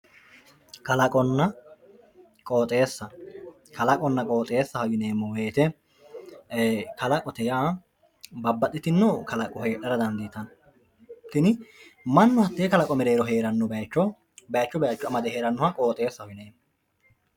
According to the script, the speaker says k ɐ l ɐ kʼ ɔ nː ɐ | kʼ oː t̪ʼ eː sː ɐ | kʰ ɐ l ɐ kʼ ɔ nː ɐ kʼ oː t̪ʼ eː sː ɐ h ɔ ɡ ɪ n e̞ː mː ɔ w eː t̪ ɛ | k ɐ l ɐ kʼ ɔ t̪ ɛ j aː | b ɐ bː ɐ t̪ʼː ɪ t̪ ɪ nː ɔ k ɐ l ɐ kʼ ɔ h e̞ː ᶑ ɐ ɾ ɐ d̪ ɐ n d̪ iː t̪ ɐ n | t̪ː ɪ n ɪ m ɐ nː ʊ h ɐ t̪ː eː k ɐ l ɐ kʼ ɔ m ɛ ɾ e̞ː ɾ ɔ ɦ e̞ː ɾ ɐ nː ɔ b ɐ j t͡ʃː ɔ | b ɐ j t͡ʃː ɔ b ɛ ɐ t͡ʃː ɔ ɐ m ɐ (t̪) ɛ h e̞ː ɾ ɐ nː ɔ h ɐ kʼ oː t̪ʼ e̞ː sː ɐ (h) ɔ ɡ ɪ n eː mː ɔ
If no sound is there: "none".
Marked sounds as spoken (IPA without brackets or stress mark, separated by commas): d̪, h